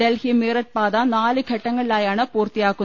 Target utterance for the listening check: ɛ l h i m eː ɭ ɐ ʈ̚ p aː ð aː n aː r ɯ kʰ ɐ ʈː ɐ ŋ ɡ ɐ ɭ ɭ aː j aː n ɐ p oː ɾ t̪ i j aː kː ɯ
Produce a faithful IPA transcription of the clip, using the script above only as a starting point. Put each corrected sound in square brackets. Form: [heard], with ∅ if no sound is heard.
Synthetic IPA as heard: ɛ l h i m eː [ɾ] ɐ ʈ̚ p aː ð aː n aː [l] ɯ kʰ ɐ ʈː ɐ ŋ ɡ ɐ ɭ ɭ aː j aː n ɐ p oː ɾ t̪ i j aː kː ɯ